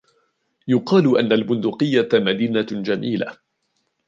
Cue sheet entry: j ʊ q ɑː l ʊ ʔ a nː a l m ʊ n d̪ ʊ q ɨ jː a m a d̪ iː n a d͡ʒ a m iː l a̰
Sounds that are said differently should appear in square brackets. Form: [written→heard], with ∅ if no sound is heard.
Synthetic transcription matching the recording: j ʊ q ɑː l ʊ ʔ a nː a l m ʊ n d̪ ʊ q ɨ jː a m a d̪ iː n a d͡ʒ a m iː l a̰